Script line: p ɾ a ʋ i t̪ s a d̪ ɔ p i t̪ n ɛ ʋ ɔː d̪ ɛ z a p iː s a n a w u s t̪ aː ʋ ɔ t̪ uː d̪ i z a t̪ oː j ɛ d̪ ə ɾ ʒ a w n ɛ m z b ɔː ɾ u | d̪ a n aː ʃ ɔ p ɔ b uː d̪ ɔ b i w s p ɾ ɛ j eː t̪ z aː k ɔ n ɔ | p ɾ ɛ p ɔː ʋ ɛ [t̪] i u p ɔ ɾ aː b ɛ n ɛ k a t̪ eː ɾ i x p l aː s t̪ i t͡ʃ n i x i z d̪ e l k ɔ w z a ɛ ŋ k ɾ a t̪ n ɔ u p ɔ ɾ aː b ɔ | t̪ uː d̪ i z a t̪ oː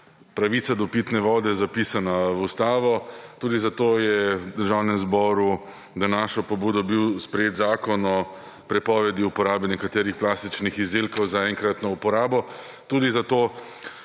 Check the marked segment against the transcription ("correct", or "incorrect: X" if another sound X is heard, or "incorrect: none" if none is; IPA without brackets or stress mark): incorrect: d̪